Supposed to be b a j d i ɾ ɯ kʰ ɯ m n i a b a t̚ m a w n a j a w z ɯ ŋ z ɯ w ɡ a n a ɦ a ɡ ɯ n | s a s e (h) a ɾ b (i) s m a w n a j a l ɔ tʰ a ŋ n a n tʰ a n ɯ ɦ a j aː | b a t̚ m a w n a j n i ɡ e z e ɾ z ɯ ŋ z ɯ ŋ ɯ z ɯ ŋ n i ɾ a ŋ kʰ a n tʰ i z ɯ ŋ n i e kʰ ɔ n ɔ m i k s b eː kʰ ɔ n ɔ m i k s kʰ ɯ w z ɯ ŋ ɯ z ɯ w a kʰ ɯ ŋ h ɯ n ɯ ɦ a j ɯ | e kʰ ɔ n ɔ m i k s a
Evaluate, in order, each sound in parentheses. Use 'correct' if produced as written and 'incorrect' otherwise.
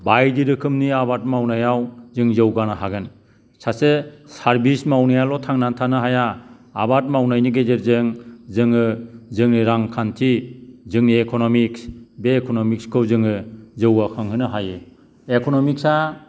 incorrect: s, correct

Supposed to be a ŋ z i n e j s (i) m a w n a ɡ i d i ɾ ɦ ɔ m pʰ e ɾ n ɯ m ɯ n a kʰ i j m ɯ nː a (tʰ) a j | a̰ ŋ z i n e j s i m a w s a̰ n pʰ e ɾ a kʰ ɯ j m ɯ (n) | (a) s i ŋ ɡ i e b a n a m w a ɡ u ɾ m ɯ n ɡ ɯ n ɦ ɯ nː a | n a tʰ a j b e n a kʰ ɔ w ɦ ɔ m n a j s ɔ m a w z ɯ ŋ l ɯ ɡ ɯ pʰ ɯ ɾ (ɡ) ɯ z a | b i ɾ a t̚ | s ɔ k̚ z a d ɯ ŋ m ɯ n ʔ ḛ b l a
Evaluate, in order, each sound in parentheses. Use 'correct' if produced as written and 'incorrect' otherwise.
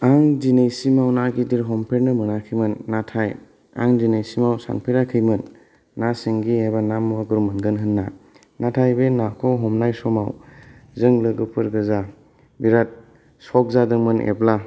correct, correct, incorrect: nː, correct, correct

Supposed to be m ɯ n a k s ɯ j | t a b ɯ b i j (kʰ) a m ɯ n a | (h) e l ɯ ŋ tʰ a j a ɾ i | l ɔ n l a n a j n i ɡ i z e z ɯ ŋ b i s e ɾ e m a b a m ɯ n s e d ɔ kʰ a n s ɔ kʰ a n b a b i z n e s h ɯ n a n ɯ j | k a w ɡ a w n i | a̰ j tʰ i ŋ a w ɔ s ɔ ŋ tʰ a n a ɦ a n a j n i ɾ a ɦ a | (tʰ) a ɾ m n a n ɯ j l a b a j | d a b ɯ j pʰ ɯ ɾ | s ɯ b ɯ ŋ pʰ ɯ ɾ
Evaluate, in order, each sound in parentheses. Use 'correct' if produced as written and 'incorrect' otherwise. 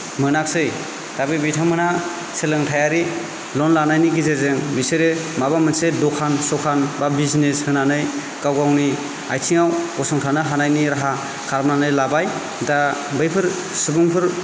incorrect: tʰ, incorrect: s, incorrect: kʰ

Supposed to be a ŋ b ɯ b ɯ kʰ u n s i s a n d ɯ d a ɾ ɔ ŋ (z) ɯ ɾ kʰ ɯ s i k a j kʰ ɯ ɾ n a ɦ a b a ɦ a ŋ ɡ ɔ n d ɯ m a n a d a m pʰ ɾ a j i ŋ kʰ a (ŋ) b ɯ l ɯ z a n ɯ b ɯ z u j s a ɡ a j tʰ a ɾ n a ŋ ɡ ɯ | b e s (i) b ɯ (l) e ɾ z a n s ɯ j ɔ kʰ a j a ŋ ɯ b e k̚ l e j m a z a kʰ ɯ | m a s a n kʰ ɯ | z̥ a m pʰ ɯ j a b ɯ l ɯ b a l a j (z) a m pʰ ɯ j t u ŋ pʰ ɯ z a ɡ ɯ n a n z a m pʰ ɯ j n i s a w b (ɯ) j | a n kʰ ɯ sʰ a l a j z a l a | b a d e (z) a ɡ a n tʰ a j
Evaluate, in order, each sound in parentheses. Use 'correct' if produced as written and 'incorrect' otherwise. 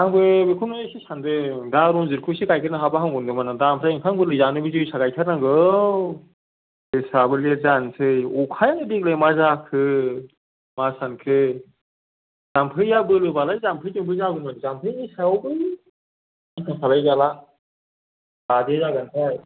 correct, correct, incorrect: a, correct, correct, correct, correct

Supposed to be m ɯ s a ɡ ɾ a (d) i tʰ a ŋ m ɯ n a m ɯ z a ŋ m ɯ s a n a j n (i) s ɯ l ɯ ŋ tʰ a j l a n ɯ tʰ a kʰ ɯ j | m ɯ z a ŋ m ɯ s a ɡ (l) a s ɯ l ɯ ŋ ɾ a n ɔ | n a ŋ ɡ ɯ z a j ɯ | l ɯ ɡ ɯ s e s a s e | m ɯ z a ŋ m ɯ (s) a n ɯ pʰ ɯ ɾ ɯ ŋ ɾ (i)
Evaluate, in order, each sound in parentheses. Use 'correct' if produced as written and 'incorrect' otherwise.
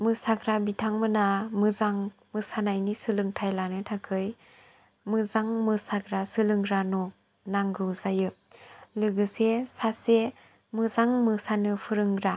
incorrect: b, correct, incorrect: ɾ, correct, incorrect: a

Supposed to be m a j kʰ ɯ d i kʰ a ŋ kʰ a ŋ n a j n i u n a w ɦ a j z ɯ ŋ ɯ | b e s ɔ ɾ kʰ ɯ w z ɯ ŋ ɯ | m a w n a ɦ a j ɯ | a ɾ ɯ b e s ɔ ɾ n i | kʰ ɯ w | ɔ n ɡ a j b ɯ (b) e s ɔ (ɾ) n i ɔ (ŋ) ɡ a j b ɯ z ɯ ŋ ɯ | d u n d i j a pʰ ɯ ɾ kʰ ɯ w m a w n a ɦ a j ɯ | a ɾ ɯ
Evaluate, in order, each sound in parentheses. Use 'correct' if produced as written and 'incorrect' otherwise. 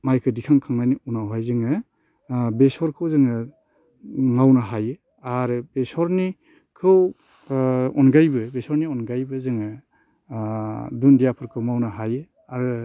correct, correct, incorrect: n

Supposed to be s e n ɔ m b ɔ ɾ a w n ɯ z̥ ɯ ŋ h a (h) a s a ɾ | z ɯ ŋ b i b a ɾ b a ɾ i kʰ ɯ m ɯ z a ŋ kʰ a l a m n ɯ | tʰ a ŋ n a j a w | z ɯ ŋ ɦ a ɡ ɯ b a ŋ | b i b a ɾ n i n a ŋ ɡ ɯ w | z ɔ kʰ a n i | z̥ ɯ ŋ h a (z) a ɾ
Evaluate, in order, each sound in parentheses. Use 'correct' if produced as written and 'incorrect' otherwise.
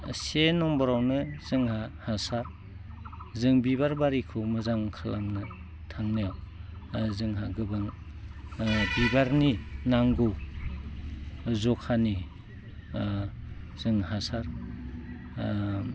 correct, incorrect: s

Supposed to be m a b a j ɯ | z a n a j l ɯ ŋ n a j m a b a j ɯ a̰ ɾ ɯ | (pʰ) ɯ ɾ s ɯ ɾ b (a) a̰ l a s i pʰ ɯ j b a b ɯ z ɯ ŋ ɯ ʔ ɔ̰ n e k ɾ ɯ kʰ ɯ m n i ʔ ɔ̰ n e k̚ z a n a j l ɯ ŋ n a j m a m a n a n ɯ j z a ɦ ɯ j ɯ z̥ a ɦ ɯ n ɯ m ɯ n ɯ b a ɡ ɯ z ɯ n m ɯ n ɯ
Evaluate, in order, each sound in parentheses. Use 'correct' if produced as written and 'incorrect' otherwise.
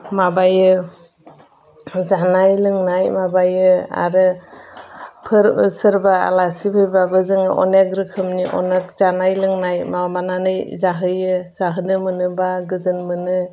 correct, correct

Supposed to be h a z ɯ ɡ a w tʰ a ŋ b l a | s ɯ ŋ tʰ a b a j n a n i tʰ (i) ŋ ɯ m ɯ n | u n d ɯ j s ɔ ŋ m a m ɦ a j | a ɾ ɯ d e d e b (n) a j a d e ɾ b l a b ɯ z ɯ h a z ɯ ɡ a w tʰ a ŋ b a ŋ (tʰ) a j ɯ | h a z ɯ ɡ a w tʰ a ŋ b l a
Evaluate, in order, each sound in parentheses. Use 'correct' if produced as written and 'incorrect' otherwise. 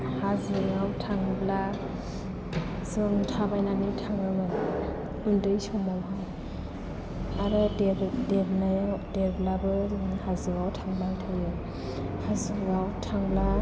incorrect: a, correct, correct

